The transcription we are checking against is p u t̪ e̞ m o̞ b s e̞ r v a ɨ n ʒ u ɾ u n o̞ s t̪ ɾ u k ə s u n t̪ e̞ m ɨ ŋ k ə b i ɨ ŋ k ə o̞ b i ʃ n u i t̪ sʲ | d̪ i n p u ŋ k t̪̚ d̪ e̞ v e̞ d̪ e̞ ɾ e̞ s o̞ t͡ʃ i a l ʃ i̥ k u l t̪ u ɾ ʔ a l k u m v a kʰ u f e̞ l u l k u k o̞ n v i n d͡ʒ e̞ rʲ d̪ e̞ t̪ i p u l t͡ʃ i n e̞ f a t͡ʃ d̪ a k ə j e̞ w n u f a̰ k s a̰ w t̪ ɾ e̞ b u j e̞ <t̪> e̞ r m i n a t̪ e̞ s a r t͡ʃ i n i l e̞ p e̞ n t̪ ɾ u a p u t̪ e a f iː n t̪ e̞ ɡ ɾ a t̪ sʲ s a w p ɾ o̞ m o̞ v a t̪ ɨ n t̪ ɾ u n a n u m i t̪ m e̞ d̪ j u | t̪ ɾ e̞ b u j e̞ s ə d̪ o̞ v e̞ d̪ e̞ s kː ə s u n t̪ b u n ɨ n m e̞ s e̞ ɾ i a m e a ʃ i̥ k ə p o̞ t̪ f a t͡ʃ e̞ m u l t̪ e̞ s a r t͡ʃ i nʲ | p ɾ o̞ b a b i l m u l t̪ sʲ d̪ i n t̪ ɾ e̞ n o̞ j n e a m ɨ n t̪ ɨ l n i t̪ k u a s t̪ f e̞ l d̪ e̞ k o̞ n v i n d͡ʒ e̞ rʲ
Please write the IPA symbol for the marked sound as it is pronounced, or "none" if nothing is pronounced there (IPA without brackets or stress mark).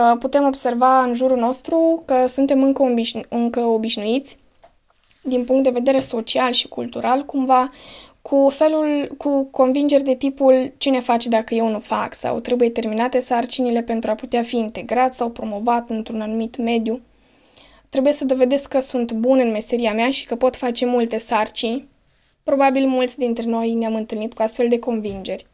t̪